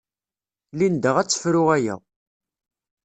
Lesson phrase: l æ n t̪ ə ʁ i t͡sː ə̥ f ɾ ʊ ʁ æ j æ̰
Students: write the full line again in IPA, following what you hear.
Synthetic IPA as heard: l i n d̪ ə ʁ æ t͡sː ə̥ f ɾ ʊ ʁ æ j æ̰